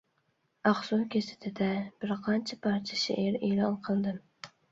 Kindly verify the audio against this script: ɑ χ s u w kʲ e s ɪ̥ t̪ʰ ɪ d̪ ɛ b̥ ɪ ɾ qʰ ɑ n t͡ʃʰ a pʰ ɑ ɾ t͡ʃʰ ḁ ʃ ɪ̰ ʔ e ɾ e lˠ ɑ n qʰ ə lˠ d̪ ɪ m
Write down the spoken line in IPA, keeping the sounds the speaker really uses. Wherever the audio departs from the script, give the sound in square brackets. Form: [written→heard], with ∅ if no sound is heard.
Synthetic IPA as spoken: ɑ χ s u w kʲ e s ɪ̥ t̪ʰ ɪ d̪ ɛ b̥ ɪ ɾ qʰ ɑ n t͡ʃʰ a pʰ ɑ ɾ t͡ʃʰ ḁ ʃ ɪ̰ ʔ e ɾ e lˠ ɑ n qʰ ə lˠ d̪ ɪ m